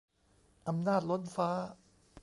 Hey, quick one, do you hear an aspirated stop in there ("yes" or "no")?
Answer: no